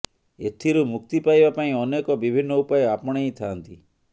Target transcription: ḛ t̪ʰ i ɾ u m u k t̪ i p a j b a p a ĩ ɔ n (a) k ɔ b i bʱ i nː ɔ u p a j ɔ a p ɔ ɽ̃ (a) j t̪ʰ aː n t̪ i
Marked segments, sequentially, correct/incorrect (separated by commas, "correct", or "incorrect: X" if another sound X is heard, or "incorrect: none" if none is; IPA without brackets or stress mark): incorrect: e, incorrect: e